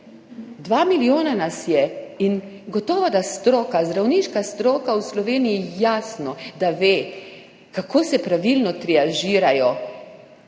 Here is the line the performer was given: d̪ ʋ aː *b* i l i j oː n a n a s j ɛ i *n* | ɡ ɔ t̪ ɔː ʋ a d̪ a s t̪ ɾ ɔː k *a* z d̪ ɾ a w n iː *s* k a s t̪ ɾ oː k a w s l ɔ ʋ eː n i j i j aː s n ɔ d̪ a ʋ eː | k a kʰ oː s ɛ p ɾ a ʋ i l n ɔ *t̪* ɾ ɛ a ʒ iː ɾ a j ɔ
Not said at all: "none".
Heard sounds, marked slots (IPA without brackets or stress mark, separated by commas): m, n, a, ʃ, t̪